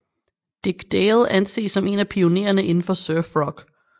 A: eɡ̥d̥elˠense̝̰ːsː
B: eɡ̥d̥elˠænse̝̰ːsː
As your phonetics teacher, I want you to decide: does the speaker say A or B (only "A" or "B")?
B